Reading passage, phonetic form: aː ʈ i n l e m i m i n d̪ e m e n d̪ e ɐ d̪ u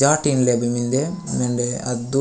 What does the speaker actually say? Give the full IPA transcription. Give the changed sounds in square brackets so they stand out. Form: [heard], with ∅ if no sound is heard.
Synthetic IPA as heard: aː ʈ i n l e [b] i m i n d̪ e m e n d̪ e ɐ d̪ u